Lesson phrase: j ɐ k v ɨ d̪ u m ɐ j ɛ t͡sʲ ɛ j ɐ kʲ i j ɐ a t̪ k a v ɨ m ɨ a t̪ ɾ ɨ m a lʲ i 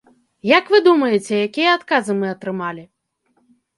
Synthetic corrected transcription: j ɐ k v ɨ d̪ u m ɐ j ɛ t͡sʲ ɛ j a kʲ i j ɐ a t̪ k a z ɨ m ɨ ɐ t̪ ɾ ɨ m a lʲ i